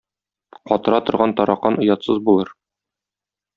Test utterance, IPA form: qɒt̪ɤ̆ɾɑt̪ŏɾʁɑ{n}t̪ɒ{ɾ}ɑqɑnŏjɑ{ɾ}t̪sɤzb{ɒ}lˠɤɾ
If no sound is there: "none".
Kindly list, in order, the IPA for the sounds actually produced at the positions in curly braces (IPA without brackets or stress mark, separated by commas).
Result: n, ɾ, none, u